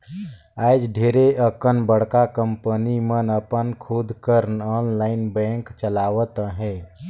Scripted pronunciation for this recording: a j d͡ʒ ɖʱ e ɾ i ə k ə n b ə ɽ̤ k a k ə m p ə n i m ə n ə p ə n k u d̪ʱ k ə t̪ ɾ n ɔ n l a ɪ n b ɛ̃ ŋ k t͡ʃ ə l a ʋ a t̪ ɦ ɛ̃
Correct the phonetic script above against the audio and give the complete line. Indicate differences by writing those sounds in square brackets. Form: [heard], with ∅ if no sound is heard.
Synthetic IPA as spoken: a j d͡ʒ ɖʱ e ɾ [e] ə k ə n b ə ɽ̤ k a k ə m p ə n i m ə n ə p ə n [kʰ] u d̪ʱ k ə [∅] ɾ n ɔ n l a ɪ n b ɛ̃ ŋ k t͡ʃ ə l a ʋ [ə] t̪ ɦ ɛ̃